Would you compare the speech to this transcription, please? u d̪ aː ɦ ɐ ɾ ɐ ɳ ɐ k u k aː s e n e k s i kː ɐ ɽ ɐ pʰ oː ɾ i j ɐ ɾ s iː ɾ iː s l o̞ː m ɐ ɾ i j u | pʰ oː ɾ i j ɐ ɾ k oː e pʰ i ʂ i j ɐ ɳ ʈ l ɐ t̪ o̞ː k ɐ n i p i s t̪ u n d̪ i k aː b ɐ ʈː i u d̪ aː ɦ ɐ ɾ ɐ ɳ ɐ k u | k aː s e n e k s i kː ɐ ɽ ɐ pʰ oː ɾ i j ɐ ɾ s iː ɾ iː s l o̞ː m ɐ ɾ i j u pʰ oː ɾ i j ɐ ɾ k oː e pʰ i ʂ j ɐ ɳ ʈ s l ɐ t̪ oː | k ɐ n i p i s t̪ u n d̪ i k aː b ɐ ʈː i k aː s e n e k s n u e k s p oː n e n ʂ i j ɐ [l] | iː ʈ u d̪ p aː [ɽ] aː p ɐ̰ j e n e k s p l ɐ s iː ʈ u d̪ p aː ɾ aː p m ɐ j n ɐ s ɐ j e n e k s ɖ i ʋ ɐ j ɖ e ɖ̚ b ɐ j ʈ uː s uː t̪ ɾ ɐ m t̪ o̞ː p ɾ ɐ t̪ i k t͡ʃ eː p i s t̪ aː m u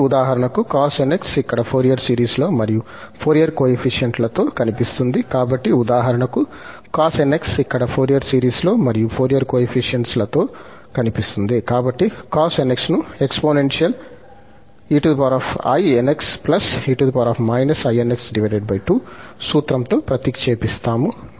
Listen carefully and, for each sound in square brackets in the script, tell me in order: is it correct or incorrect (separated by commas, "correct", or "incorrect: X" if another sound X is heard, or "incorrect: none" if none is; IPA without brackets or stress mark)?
correct, incorrect: ɾ